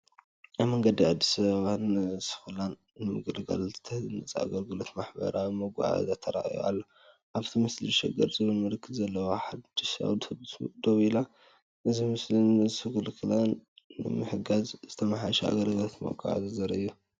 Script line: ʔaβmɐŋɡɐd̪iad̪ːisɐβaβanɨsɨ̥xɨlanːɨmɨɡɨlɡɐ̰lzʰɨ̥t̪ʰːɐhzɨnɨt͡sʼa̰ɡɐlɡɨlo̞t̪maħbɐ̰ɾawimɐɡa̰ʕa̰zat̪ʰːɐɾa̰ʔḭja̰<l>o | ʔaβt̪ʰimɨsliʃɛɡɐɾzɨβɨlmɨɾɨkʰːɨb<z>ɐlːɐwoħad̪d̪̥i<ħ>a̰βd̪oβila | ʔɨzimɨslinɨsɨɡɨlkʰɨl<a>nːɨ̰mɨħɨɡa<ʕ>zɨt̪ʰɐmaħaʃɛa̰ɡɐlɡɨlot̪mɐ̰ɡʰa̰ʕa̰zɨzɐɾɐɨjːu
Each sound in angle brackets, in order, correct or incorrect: incorrect: lː, correct, incorrect: ʃ, correct, incorrect: z

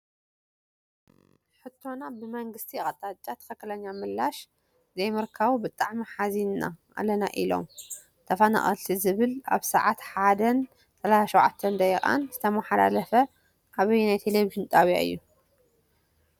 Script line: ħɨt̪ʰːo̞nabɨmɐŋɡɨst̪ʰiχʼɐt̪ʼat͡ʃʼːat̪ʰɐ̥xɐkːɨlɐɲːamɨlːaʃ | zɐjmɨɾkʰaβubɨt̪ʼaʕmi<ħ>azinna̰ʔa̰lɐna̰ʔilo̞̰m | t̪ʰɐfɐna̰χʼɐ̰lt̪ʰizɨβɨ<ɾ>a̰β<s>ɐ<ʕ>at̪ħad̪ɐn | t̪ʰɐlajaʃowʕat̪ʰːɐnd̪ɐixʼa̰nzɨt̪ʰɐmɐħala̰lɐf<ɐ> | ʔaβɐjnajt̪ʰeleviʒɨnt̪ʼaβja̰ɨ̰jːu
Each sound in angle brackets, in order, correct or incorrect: correct, incorrect: l, correct, correct, correct

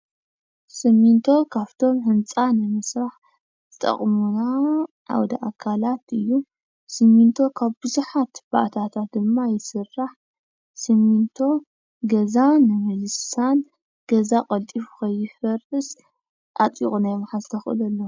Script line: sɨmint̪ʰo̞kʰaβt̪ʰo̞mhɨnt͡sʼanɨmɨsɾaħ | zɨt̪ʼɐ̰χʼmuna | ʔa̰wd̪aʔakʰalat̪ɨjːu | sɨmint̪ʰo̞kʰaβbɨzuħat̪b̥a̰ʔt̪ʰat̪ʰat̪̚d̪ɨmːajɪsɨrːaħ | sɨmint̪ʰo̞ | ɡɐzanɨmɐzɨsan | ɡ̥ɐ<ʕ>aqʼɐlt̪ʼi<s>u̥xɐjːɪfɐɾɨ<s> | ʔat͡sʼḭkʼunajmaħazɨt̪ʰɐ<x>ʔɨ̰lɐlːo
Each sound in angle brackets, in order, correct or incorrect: incorrect: z, incorrect: f, correct, correct

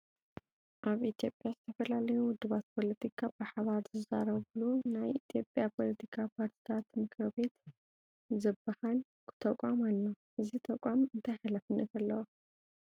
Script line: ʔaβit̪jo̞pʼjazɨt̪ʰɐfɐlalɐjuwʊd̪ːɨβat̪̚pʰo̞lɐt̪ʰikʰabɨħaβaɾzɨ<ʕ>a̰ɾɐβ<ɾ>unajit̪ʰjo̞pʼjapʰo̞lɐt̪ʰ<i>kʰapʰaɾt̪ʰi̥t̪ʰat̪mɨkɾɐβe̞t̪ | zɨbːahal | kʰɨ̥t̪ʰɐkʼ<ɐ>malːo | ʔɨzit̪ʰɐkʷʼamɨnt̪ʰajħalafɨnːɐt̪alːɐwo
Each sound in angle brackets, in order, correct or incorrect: incorrect: z, incorrect: l, correct, incorrect: a

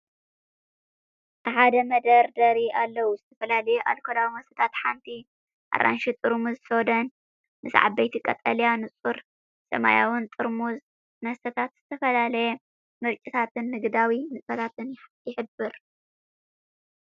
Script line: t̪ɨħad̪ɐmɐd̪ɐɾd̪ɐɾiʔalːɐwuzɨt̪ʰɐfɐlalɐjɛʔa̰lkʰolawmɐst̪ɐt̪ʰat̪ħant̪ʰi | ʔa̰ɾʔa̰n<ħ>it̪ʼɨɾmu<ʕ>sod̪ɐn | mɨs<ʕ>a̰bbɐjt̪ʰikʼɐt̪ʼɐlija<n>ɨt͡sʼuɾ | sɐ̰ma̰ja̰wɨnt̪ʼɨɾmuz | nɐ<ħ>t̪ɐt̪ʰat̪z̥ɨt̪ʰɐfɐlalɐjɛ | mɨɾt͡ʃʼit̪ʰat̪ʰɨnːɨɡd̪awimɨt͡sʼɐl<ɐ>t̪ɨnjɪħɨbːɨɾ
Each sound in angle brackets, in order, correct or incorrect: incorrect: ʃ, incorrect: z, correct, correct, incorrect: s, incorrect: a

